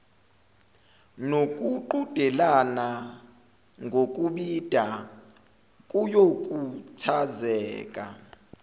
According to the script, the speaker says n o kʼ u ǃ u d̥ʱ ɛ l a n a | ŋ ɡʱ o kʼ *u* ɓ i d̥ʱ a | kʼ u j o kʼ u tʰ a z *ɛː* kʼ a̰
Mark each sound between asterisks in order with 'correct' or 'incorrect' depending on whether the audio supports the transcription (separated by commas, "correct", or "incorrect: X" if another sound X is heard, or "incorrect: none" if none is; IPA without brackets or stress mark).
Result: correct, correct